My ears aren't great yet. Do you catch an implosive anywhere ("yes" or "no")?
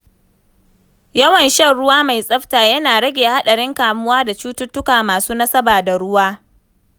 yes